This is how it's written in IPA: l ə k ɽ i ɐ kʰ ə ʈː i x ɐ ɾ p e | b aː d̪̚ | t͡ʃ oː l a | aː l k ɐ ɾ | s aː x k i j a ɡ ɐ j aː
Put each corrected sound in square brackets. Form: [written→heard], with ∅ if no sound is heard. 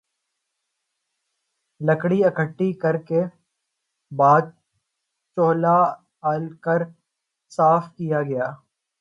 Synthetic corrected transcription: l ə k ɽ i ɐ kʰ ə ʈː i [x→k] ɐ ɾ [p→k] e | b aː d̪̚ | t͡ʃ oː l a | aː l k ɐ ɾ | s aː [x→f] k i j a ɡ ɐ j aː